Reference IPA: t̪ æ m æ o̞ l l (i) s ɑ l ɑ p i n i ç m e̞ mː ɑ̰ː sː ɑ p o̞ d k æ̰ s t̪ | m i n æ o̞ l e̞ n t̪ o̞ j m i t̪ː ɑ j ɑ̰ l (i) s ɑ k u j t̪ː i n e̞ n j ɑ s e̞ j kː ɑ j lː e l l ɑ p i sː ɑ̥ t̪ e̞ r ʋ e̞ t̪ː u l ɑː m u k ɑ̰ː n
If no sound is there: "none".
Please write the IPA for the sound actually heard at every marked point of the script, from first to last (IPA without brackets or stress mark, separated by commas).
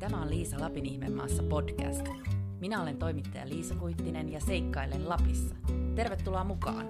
iː, iː